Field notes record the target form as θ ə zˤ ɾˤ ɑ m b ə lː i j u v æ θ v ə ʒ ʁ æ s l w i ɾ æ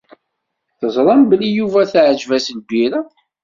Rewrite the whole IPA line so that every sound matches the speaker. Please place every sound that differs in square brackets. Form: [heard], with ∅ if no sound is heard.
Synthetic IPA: θ ə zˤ ɾˤ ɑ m b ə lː i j u v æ θ [ʕ] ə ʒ [v] æ s l [b] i ɾ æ